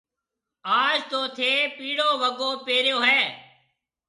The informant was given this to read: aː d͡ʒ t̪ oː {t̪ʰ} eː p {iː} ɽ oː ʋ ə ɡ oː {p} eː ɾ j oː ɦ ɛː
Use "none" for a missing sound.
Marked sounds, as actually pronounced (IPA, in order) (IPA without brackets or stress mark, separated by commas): t̪ʰ, iː, p